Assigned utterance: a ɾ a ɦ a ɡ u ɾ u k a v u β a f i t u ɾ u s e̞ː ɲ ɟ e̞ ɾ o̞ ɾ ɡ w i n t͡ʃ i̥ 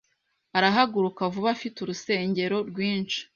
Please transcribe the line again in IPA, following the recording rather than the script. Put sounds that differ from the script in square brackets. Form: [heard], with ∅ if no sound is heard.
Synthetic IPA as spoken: a ɾ a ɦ a ɡ u ɾ u k a v u β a f i t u ɾ u s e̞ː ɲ ɟ e̞ ɾ o̞ ɾ ɡ w [iː] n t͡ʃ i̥